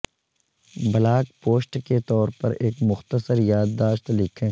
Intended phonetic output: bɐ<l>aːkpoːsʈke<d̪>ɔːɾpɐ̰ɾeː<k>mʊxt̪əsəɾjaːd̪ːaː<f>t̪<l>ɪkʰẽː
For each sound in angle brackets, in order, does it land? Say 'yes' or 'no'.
yes, no, yes, no, yes

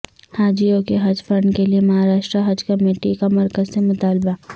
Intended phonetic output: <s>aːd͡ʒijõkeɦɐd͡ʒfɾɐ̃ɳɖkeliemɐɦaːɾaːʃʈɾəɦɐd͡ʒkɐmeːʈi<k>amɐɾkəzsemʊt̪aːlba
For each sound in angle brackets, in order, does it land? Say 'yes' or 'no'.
no, yes

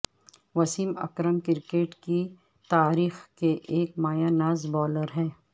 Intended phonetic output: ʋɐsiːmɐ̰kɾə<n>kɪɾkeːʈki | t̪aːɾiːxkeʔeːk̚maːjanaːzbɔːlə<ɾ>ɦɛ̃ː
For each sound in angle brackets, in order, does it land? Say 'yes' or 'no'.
no, yes

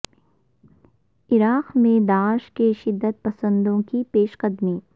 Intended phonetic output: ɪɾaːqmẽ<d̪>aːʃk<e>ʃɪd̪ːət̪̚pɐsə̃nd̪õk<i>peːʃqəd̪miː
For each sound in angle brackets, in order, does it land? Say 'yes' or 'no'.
yes, yes, yes

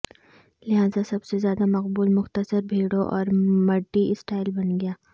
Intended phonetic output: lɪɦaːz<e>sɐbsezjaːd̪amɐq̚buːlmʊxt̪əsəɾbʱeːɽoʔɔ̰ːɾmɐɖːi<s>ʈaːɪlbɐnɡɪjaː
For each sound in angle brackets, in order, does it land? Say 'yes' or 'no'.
no, yes

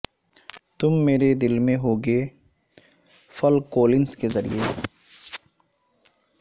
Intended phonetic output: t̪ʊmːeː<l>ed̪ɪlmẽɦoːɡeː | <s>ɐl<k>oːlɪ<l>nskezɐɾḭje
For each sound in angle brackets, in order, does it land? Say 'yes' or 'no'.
no, no, yes, no

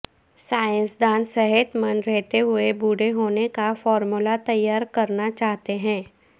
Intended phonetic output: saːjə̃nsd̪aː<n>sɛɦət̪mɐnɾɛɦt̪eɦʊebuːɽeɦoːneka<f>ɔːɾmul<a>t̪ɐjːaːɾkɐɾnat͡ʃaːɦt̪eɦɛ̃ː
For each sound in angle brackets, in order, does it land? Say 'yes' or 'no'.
yes, yes, yes

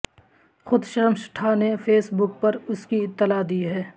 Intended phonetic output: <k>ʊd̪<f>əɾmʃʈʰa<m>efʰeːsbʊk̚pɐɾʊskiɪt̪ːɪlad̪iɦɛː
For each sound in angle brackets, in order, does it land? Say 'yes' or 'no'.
no, no, no

